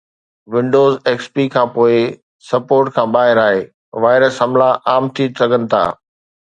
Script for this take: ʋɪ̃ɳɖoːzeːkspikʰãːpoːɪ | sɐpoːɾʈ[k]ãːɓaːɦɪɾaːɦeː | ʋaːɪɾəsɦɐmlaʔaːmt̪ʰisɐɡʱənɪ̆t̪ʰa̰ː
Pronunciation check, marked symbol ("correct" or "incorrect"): incorrect